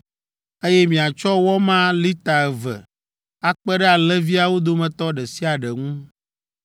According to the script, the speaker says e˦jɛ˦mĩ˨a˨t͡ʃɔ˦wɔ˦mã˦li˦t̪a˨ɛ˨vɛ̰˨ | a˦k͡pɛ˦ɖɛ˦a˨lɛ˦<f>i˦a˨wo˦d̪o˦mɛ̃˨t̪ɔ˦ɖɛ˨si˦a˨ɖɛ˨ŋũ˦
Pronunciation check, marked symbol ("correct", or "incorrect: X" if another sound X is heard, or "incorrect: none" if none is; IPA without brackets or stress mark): incorrect: v